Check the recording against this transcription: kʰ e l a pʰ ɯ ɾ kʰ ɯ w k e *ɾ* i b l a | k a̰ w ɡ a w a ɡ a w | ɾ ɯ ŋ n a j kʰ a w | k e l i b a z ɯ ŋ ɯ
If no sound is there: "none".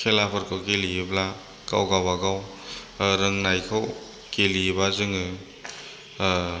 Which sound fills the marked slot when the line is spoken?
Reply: l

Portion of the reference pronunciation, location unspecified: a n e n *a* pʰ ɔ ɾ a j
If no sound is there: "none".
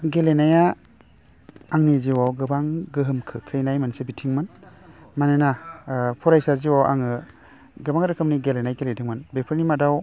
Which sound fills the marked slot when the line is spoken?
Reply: a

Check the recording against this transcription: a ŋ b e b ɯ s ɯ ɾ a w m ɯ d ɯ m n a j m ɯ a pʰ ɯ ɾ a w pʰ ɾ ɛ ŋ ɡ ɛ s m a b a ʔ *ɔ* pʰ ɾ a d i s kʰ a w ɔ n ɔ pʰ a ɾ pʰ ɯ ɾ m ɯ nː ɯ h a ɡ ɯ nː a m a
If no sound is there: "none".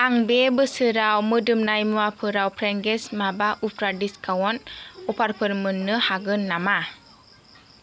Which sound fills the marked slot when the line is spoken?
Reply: u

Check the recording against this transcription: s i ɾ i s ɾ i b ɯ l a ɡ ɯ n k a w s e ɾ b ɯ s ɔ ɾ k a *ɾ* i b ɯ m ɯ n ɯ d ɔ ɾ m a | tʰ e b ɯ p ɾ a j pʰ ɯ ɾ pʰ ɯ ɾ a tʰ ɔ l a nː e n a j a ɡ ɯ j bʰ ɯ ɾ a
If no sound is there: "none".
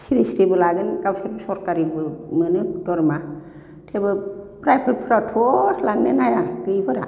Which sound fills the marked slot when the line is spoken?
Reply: ɾ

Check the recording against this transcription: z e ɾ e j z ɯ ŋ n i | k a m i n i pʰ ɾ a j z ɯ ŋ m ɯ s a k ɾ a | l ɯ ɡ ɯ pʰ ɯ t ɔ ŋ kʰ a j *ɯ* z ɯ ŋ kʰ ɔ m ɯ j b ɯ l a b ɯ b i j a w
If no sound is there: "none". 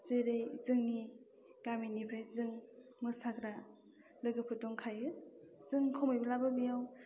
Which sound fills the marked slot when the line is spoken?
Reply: ɯ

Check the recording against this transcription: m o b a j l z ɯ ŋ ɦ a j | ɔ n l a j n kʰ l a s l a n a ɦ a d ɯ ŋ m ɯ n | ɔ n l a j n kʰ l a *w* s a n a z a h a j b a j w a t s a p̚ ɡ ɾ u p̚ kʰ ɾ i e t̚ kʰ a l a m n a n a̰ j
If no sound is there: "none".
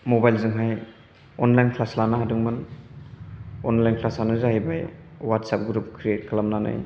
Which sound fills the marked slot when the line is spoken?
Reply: none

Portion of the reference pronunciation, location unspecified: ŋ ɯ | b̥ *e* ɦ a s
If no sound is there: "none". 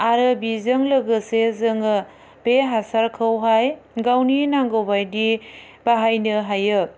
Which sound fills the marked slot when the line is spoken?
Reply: e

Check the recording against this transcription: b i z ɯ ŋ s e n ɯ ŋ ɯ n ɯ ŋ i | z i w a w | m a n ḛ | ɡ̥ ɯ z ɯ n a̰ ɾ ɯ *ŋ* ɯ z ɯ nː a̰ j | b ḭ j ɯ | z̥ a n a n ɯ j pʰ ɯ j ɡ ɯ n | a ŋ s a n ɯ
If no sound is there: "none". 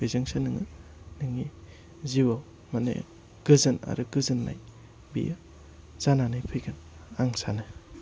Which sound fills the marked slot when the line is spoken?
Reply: ɡ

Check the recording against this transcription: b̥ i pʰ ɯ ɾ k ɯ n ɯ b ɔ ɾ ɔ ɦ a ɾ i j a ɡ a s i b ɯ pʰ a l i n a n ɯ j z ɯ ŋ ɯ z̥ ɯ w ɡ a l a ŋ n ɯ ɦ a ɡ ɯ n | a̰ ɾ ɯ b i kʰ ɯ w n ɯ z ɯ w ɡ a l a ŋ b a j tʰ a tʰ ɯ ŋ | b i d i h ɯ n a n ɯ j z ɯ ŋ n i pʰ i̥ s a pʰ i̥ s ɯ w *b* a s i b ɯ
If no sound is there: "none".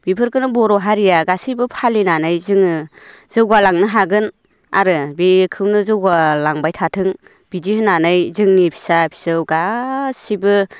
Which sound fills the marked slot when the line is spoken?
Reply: ɡ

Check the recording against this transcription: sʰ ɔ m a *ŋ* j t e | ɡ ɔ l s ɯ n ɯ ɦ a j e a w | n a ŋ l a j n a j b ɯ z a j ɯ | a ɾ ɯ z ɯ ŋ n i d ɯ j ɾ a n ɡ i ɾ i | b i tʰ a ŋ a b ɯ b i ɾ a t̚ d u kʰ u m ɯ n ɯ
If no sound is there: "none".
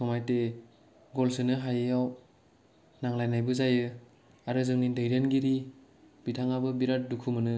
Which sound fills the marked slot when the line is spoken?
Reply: none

